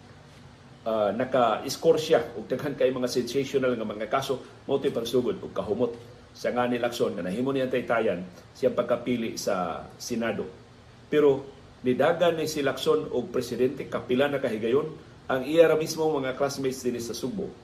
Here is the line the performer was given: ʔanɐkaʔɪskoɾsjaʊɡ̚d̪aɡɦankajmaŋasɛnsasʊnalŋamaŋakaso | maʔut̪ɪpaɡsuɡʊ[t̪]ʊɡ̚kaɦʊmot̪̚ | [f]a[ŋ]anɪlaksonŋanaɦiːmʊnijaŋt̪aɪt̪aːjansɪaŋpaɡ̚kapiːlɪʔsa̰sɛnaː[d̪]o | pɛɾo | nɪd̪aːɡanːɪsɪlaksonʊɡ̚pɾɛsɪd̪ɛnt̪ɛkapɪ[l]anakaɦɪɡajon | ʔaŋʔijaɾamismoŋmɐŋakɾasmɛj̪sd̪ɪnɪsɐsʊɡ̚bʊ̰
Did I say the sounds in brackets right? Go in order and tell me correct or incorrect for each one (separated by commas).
incorrect, incorrect, correct, correct, correct